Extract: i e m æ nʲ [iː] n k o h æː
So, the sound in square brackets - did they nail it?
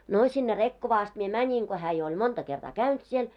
no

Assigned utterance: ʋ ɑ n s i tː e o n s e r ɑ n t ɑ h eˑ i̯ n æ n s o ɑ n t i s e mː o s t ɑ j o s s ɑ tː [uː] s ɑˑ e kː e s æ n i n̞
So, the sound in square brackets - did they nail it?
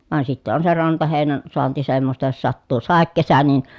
yes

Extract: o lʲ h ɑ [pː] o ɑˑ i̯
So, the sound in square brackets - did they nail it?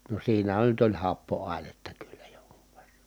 yes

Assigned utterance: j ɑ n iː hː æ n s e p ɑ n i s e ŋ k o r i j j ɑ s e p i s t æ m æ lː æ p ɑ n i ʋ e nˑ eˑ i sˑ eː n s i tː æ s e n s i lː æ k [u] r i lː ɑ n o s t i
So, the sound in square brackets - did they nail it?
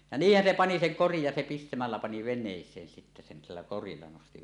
no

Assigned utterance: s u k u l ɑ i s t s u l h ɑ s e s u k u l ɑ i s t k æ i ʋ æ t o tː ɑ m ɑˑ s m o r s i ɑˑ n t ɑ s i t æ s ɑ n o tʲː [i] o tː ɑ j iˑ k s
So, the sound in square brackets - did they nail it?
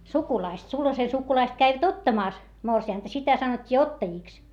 no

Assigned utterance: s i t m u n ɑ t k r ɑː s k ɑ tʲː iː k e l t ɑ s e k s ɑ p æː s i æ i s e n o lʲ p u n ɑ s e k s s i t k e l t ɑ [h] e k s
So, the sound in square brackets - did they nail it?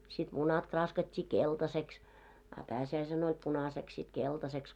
no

